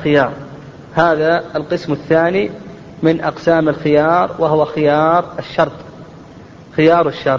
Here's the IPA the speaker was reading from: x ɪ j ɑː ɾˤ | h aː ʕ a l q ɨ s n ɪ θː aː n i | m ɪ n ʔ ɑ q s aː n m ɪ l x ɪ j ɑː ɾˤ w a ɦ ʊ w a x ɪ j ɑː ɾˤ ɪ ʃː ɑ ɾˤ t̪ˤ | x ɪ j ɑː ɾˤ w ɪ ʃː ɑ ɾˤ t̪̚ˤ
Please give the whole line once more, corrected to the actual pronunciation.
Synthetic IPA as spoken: x ɪ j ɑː ɾˤ | h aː ð a l q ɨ s m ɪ θː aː n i | m ɪ n ʔ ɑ q s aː m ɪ l x ɪ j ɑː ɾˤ w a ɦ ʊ w a x ɪ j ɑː ɾˤ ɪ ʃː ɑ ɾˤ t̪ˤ | x ɪ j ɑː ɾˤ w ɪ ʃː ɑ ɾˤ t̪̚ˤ